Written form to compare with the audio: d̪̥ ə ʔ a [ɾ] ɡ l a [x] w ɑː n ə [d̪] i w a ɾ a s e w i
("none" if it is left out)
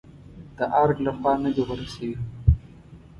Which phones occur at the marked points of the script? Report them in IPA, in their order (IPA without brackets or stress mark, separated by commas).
ɾ, x, d̪